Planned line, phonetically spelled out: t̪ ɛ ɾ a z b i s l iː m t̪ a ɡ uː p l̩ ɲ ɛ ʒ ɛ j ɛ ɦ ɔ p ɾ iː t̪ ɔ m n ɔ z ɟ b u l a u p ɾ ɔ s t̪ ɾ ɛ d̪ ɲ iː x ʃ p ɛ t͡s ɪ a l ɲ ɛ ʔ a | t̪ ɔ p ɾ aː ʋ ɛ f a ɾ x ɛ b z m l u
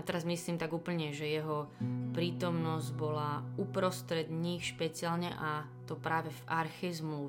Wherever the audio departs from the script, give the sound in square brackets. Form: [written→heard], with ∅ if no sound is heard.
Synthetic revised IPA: t̪ ɛ ɾ a z [b→m] i s l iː m t̪ a ɡ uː p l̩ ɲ ɛ ʒ ɛ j ɛ ɦ ɔ p ɾ iː t̪ ɔ m n ɔ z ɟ b [u→ɔ] l a u p ɾ ɔ s t̪ ɾ ɛ d̪ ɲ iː x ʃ p ɛ t͡s ɪ a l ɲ ɛ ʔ a | t̪ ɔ p ɾ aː ʋ ɛ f a ɾ x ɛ [b→∅] z m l u